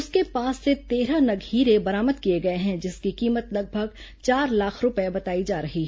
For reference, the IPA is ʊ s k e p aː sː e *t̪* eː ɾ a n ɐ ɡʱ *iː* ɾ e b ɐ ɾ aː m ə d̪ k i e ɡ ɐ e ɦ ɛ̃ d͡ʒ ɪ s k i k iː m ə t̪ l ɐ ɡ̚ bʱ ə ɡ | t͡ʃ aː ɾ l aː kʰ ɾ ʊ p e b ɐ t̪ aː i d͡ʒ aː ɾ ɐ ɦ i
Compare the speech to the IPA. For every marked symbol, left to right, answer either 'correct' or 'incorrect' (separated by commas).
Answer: correct, correct